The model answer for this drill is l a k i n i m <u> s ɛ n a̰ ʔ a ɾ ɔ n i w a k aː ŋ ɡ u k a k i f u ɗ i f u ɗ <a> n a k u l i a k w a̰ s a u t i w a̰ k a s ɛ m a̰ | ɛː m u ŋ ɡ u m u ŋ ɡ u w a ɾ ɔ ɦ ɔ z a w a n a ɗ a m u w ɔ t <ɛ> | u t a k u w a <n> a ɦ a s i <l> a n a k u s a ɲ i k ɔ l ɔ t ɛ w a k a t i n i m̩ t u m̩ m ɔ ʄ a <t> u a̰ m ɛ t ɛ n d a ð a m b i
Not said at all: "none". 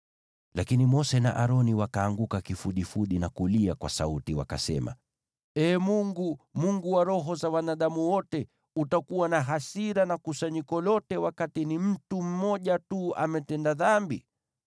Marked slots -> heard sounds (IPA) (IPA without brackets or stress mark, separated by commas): ɔ, i, ɛ, n, ɾ, t